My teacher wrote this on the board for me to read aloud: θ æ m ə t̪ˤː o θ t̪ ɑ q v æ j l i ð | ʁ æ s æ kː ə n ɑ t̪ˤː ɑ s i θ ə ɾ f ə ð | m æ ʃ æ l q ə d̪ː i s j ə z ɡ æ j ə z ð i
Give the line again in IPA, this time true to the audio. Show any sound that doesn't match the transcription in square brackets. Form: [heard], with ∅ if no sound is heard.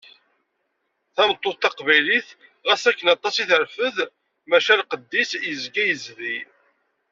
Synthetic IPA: θ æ m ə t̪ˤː o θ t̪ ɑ q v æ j l i [θ] | ʁ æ s æ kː ə n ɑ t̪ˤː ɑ s i θ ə ɾ f ə ð | m æ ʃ æ l q ə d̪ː i s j ə z ɡ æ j ə z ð i